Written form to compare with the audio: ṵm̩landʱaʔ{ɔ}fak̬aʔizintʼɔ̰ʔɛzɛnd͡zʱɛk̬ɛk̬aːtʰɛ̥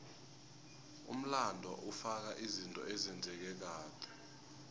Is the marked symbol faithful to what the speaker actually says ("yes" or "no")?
no